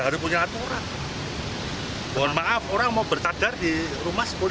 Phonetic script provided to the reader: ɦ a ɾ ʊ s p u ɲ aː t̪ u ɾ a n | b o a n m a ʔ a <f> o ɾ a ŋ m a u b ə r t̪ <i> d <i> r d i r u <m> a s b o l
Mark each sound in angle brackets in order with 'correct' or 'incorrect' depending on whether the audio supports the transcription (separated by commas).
correct, incorrect, incorrect, correct